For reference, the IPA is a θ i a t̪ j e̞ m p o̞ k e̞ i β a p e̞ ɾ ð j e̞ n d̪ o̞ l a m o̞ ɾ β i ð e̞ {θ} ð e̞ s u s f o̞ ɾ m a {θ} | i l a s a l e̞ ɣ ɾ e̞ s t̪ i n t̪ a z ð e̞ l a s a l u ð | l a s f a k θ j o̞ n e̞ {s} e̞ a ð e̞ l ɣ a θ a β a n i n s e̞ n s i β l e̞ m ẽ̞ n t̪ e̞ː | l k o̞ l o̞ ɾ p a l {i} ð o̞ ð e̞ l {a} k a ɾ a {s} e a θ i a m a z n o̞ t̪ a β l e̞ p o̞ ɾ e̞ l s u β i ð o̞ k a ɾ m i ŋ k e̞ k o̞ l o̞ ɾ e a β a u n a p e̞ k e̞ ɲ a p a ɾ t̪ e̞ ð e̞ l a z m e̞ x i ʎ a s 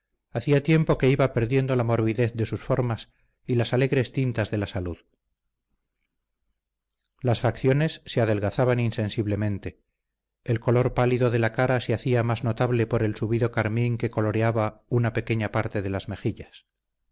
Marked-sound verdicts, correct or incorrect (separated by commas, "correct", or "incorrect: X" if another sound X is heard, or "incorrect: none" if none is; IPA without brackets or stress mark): correct, incorrect: s, incorrect: sː, correct, correct, correct